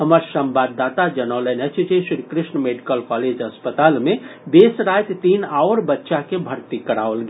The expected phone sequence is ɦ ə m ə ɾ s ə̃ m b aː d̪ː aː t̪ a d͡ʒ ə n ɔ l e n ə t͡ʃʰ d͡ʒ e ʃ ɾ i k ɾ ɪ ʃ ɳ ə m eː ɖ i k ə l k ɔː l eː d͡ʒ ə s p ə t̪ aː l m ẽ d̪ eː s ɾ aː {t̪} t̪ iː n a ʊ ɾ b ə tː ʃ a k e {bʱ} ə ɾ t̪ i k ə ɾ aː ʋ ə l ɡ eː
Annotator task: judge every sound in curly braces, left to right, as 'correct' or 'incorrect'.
correct, correct

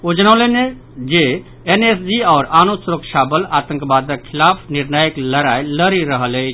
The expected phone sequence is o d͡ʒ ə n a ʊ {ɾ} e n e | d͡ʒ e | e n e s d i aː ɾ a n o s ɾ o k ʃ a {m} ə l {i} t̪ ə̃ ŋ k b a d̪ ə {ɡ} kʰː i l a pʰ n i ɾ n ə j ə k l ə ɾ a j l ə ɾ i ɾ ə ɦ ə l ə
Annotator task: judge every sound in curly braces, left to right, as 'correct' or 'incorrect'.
incorrect, incorrect, incorrect, incorrect

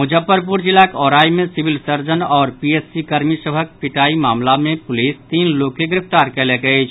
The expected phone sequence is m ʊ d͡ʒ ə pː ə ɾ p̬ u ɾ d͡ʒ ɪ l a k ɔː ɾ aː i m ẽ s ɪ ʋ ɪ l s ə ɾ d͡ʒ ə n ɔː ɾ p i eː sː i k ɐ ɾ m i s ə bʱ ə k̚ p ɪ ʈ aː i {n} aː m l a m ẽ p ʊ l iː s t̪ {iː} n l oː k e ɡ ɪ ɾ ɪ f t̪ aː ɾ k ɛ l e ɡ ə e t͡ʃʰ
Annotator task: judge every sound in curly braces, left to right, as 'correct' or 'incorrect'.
incorrect, correct

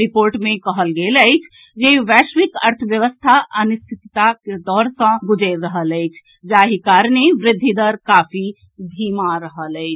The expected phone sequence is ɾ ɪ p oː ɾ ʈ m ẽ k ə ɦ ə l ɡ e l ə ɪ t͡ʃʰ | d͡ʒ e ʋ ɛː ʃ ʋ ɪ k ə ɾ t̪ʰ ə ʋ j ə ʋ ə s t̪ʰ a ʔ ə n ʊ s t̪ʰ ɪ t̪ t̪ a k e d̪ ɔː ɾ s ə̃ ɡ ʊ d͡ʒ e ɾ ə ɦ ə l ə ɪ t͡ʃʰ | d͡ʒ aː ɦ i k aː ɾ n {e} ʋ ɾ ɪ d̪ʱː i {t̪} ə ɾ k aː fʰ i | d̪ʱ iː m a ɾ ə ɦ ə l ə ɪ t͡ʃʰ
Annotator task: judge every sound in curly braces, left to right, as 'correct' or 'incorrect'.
correct, incorrect

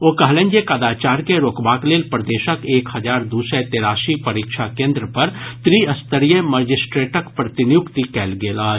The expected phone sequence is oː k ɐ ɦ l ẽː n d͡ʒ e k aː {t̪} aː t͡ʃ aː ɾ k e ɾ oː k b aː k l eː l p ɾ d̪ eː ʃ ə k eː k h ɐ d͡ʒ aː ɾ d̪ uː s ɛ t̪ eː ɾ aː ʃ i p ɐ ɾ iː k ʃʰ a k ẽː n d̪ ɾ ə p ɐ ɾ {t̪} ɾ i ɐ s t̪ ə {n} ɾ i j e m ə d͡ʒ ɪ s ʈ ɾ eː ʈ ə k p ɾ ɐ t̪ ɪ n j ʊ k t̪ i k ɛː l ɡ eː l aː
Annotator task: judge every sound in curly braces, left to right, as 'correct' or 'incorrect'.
incorrect, correct, incorrect

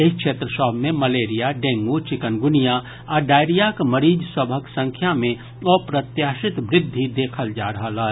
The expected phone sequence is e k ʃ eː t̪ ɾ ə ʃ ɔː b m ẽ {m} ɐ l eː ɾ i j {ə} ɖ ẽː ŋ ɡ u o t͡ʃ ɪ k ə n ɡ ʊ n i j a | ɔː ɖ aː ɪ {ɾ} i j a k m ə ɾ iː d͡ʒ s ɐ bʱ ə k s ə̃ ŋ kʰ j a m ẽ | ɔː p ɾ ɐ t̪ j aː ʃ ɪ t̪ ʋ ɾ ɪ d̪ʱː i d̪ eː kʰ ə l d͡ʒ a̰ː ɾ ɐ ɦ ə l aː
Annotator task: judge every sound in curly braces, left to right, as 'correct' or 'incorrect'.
correct, incorrect, correct

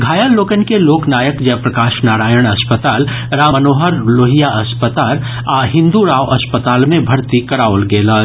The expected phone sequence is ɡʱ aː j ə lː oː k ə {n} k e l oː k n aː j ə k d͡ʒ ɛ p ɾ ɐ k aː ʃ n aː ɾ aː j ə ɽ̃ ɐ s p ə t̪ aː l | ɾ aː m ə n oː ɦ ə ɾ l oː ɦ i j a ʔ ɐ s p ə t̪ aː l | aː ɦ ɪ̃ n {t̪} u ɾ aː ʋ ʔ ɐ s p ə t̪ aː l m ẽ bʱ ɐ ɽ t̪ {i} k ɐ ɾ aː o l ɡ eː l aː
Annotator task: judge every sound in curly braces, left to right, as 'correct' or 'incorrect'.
correct, incorrect, correct

